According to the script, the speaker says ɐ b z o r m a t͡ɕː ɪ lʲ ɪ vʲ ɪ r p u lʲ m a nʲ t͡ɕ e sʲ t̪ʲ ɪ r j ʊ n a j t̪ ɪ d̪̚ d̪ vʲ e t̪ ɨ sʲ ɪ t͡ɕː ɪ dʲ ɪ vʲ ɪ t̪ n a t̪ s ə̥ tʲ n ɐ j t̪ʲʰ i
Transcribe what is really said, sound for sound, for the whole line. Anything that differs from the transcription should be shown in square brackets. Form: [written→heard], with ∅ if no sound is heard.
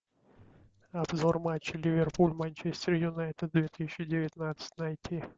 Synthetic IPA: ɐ b z o r m a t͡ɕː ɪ lʲ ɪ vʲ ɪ r p u lʲ m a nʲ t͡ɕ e sʲ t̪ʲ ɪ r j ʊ n a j t̪ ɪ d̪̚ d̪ vʲ e t̪ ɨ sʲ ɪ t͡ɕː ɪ dʲ ɪ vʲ ɪ t̪ n a t̪ s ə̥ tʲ n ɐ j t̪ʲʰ i